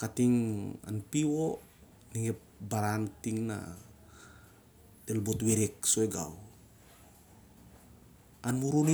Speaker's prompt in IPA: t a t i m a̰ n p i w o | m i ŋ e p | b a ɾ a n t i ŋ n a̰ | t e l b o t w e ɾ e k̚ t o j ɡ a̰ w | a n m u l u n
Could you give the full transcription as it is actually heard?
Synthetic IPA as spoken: k a t i ŋ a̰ n p i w o | n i ŋ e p | b a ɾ a n t i ŋ n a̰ | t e l b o t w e ɾ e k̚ s o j ɡ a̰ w | a n m u ɾ u n